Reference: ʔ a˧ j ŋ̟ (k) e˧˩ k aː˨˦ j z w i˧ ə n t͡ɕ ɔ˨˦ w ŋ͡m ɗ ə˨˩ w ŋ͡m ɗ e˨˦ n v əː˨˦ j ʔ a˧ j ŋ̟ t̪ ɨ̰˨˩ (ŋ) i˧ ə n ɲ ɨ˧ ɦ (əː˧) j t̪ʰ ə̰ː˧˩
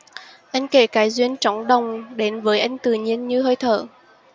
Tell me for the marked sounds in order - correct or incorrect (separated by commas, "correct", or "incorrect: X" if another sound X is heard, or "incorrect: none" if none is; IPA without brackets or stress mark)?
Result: correct, incorrect: ɲ, correct